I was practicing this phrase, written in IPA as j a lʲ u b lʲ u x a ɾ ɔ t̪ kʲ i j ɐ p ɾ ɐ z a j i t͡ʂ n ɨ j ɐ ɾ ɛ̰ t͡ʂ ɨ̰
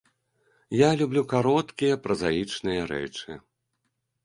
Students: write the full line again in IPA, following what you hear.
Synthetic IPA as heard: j a lʲ u b lʲ u k a ɾ ɔ t̪ kʲ i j ɐ p ɾ ɐ z a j i t͡ʂ n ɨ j ɐ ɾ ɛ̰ t͡ʂ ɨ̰